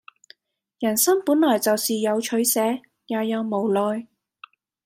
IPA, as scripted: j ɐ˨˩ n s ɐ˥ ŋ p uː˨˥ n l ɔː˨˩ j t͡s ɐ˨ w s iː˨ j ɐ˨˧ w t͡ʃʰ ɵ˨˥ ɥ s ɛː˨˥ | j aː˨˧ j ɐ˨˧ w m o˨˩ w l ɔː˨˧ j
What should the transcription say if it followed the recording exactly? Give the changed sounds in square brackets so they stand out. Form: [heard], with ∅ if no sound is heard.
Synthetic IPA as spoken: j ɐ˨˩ n s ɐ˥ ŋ p uː˨˥ n l ɔː˨˩ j t͡s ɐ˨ w s iː˨ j ɐ˨˧ w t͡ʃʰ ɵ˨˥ ɥ s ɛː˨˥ | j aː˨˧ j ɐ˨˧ w m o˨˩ w l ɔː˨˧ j